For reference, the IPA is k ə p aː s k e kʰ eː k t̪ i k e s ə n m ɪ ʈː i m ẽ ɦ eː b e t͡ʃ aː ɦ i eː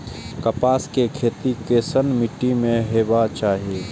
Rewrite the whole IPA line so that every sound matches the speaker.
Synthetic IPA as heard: k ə p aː s k e kʰ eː t̪ i k e s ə n m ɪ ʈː i m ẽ ɦ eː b a t͡ʃ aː ɦ i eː